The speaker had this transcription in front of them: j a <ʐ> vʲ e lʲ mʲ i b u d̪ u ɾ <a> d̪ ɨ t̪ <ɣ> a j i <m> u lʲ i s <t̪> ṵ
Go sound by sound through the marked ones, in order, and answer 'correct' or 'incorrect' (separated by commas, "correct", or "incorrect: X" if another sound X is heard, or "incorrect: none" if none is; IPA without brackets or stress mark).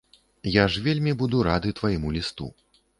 correct, correct, incorrect: v, correct, correct